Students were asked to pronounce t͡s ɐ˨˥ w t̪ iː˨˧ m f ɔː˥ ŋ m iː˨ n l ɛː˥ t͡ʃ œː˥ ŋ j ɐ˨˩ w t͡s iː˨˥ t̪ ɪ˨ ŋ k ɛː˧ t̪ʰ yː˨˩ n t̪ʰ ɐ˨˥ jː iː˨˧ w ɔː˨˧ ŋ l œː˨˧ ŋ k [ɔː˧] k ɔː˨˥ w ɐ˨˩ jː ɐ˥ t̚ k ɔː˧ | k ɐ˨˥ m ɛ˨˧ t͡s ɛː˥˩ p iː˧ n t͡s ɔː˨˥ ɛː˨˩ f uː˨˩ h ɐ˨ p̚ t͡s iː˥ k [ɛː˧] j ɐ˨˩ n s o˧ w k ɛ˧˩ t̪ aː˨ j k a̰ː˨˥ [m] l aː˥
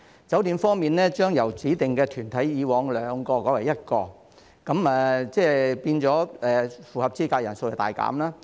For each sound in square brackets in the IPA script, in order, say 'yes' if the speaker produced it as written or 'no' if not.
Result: yes, no, yes

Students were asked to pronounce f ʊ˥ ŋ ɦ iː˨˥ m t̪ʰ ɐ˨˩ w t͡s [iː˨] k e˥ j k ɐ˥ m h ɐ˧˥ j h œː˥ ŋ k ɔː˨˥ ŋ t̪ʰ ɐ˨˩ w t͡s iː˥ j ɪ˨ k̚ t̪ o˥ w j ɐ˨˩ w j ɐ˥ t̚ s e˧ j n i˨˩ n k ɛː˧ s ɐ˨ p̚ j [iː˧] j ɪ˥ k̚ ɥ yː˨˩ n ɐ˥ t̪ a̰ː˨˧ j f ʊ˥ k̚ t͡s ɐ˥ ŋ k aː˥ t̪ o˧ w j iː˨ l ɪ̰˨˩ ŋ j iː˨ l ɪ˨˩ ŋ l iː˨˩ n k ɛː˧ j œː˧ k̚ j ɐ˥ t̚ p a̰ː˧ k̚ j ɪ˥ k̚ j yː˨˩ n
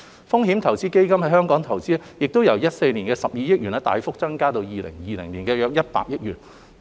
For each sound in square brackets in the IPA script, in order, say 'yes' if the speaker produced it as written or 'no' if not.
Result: no, yes

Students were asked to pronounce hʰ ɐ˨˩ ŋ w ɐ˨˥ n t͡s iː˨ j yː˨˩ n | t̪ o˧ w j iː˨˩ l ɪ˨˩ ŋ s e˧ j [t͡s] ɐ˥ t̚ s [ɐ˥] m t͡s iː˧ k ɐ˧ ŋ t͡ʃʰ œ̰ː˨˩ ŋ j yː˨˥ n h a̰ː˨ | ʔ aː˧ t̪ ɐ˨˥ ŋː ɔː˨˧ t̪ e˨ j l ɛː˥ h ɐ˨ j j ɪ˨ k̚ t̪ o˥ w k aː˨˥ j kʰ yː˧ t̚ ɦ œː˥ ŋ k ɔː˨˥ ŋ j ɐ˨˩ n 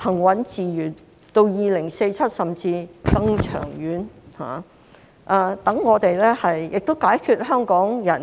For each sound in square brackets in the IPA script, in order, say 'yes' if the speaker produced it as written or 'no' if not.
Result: no, no

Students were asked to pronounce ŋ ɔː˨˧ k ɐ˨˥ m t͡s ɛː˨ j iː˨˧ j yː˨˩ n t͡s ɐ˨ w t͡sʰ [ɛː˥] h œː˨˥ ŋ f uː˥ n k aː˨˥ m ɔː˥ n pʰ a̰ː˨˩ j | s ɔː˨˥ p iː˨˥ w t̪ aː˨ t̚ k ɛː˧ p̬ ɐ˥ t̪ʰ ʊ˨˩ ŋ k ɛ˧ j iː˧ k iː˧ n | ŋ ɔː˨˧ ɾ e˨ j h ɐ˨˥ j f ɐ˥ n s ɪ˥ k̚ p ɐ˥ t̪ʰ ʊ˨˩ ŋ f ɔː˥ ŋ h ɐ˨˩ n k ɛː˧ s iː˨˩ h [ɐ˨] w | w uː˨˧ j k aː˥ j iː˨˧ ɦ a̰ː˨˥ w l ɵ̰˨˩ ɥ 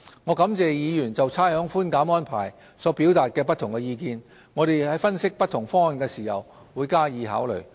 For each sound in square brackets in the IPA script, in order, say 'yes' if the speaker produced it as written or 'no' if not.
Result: no, yes

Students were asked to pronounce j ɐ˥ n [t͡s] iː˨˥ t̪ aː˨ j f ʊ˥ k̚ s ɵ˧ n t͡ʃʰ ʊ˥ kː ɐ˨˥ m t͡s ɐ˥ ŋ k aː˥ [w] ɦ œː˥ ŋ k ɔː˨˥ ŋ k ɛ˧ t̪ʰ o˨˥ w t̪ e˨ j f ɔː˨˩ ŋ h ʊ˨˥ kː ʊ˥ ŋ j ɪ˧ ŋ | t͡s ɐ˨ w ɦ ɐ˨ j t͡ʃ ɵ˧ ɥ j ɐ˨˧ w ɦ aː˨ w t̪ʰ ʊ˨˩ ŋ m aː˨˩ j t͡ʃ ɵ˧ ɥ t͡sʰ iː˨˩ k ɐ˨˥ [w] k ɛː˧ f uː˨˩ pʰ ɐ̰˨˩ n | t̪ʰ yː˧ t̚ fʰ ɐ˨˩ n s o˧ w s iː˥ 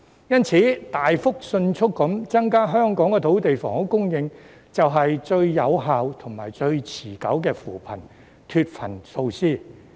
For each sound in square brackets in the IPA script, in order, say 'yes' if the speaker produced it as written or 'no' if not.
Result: no, no, yes

